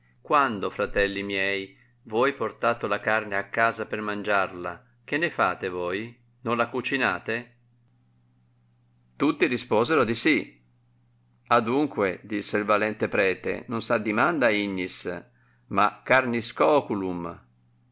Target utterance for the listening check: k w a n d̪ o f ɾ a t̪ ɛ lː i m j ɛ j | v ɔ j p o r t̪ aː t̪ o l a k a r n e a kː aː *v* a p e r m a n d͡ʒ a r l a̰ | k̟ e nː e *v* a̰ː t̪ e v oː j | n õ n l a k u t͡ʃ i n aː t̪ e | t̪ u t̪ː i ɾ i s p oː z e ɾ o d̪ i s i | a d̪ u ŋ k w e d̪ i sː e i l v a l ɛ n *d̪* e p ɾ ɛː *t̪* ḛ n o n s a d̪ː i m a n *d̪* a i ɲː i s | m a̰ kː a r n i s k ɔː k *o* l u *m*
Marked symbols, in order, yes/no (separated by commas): no, no, no, yes, yes, no, yes